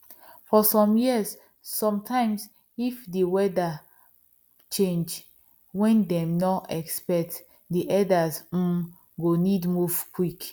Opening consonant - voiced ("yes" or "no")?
no